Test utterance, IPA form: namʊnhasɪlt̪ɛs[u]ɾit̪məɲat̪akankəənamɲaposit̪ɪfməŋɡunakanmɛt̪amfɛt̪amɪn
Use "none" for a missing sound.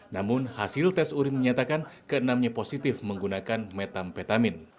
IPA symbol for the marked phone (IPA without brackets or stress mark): u